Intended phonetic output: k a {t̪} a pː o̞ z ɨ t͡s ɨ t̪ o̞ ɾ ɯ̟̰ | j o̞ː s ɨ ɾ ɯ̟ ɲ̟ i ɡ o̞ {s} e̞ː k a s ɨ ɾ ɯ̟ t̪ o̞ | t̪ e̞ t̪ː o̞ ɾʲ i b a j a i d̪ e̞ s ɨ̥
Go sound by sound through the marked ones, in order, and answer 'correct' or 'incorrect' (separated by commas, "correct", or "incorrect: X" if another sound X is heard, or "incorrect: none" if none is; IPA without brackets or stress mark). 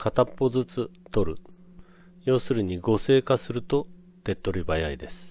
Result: correct, correct